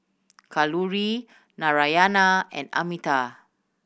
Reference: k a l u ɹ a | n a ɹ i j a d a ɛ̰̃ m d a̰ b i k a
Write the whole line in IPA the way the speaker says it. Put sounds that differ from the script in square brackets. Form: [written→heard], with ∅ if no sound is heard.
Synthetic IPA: k a l u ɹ [a→i] | n a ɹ [i→a] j a [d→n] a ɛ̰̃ [m→n] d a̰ [b→m] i [k→t] a

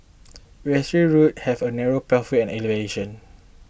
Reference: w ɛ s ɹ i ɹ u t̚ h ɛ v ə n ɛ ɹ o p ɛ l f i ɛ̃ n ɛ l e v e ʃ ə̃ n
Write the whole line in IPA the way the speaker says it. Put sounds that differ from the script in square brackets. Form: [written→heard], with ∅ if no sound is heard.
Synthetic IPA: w ɛ s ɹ i ɹ u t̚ h ɛ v ə n ɛ ɹ o p ɛ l f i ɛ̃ n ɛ l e v e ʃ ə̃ n

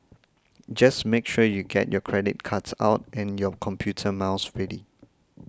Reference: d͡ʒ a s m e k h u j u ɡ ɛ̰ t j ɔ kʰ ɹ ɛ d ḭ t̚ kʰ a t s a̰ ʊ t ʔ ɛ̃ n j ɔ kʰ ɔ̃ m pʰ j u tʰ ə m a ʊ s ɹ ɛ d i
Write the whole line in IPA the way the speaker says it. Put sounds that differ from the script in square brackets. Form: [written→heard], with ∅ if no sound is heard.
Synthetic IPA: d͡ʒ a s m e k [h→ʃ] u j u ɡ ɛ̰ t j ɔ kʰ ɹ ɛ d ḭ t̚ kʰ a t s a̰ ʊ t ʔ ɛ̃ n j ɔ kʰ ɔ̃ m pʰ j u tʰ ə m a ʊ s ɹ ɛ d i

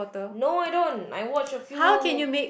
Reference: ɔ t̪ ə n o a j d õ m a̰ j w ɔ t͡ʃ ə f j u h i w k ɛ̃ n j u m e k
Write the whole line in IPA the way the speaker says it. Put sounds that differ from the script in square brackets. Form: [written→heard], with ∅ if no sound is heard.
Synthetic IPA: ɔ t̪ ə n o a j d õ [m→n] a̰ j w ɔ t͡ʃ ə f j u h [i→a] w k ɛ̃ n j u m e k

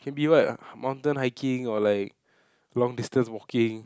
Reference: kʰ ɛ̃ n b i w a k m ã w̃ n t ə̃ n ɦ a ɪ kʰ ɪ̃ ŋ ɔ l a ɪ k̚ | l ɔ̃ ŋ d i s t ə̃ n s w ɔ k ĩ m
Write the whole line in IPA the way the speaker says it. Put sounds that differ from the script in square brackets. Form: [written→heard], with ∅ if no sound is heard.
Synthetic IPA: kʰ ɛ̃ n b i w a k m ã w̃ n t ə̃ n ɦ a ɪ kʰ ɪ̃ ŋ ɔ l a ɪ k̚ | l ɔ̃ ŋ d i s t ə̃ n s w ɔ k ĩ [m→ŋ]

